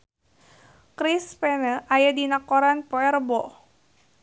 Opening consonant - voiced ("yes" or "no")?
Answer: no